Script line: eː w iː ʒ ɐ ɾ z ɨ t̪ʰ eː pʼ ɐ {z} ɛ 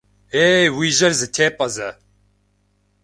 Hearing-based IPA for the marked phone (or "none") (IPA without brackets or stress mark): z